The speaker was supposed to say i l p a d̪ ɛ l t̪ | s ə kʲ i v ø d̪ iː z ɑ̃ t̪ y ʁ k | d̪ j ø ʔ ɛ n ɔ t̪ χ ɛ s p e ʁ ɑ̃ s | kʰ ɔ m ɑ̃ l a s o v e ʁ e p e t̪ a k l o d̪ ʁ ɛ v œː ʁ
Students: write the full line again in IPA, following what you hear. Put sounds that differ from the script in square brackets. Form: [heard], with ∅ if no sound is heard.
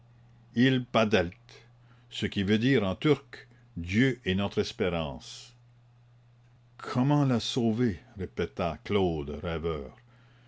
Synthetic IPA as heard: i l p a d̪ ɛ l t̪ | s ə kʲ i v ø d̪ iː [ʁ] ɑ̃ t̪ y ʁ k | d̪ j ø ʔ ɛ n ɔ t̪ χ ɛ s p e ʁ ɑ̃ s | kʰ ɔ m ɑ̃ l a s o v e ʁ e p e t̪ a k l o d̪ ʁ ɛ v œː ʁ